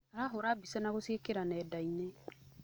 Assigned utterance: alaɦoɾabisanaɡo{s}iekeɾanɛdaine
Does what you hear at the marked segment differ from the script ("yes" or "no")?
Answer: no